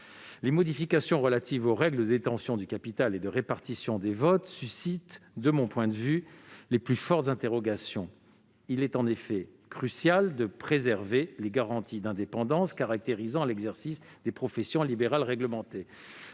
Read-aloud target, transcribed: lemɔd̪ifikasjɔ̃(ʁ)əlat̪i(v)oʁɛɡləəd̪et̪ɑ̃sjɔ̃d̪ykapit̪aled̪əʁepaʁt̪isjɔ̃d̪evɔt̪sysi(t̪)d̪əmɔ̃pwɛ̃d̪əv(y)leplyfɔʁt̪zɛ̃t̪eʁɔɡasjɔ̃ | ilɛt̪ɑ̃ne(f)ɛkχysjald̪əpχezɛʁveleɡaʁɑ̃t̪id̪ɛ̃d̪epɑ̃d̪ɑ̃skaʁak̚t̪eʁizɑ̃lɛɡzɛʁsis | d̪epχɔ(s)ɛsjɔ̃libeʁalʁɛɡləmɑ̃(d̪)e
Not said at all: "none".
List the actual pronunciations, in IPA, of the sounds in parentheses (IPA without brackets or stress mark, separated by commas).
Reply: ʁ, v, t̪, y, f, f, t̪